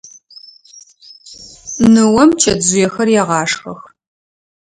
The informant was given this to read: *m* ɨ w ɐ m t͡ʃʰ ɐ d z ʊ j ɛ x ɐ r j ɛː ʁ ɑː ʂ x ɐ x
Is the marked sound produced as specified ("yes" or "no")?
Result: no